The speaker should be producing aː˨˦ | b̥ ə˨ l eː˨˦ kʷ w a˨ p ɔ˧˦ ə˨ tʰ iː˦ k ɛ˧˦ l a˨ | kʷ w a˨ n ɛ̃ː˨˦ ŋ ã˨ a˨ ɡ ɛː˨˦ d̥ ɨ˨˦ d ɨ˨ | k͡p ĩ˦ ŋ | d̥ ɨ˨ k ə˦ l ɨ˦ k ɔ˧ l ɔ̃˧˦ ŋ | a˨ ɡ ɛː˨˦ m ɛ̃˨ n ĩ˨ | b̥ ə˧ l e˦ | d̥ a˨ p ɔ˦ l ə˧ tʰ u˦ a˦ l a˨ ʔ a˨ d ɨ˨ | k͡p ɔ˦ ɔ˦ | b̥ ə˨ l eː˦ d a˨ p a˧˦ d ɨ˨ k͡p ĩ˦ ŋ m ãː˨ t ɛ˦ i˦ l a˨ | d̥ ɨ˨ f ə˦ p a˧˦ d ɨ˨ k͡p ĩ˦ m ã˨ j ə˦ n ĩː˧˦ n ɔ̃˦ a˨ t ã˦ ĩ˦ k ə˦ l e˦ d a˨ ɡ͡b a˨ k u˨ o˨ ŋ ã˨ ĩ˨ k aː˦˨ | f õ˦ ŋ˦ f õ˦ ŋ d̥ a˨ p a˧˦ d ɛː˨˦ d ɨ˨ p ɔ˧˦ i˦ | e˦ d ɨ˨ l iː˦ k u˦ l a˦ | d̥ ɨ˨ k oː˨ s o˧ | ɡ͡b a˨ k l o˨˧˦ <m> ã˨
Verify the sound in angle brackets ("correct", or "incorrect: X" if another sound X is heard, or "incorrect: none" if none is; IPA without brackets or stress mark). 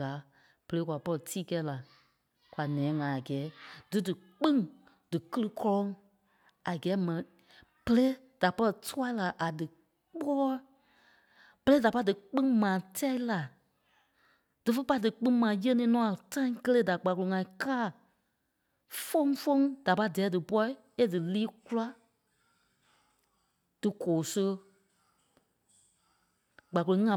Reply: incorrect: ŋ